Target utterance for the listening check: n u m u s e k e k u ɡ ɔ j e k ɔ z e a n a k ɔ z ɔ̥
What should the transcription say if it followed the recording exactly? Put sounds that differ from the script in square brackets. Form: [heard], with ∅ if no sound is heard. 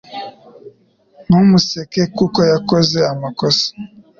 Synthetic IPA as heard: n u m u s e k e k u [k] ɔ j [a] k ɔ z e a [m] a k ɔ [s] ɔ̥